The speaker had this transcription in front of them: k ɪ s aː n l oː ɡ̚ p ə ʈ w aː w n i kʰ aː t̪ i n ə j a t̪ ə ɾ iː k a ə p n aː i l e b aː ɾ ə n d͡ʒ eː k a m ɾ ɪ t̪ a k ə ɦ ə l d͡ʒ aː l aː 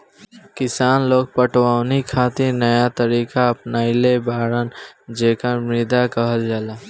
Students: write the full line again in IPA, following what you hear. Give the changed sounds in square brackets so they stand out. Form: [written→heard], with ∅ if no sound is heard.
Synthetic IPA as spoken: k ɪ s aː n l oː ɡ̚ p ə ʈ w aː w n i kʰ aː t̪ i n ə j a t̪ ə ɾ iː k a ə p n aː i l e b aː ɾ ə n d͡ʒ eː k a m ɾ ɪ [t̪→d̪] a k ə ɦ ə l d͡ʒ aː l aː